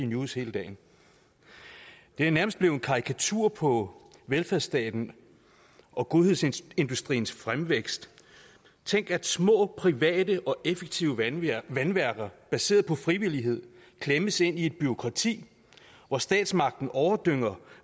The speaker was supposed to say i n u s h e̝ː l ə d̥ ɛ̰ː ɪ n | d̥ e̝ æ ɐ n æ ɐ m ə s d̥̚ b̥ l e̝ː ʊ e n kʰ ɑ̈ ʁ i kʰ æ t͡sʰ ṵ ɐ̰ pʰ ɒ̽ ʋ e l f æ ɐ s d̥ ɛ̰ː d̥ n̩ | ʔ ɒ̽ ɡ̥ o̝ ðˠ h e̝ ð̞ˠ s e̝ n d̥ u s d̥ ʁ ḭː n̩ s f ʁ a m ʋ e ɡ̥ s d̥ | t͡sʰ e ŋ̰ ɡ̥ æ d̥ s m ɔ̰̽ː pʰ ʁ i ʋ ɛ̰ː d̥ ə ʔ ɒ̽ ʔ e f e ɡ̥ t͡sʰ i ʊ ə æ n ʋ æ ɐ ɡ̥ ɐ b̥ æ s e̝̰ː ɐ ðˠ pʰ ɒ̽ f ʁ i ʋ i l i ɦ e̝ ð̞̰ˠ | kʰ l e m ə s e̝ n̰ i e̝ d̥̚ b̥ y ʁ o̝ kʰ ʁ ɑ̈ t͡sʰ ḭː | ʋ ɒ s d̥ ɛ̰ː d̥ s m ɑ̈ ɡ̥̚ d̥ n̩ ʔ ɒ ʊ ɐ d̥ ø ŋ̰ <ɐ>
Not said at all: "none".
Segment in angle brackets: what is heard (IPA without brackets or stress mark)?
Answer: ɐ